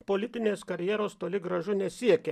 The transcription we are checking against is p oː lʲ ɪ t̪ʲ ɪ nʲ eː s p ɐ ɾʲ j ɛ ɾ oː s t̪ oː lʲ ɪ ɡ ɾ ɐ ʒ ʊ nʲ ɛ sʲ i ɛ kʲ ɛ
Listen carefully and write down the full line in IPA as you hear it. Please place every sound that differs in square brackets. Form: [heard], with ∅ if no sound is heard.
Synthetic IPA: p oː lʲ ɪ t̪ʲ ɪ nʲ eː s [k] ɐ ɾʲ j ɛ ɾ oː s t̪ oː lʲ ɪ ɡ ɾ ɐ ʒ ʊ nʲ ɛ sʲ i ɛ kʲ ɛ